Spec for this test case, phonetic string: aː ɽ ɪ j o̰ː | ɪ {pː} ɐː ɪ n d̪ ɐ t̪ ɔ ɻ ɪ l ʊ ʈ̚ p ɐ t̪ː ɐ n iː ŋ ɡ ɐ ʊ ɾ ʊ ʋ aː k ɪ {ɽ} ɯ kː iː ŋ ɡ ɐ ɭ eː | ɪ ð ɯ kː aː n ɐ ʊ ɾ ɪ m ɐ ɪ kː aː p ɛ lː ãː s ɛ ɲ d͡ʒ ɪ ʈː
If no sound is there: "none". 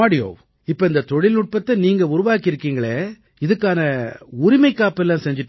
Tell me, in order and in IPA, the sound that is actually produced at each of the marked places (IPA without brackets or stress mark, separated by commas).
pː, ɾ